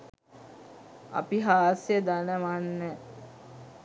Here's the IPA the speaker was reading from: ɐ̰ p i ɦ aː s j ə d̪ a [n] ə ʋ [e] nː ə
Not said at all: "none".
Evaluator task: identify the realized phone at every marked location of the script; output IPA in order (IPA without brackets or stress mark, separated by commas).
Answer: n, a